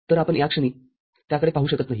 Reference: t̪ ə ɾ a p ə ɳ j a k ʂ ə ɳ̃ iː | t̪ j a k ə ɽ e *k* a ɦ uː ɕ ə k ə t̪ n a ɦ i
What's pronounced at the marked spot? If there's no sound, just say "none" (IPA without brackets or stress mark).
p